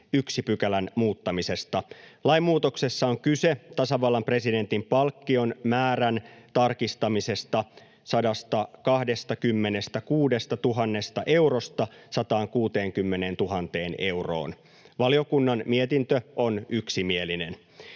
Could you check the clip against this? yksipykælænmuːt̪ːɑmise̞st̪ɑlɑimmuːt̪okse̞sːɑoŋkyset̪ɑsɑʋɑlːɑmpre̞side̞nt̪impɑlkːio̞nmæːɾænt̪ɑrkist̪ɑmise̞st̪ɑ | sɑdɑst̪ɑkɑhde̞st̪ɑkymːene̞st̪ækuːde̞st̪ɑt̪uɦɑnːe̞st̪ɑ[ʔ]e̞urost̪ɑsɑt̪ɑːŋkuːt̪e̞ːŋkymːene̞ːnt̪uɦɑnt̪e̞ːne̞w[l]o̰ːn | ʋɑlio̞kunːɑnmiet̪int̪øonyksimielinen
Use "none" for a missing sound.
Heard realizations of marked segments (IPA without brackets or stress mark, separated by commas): ʔ, r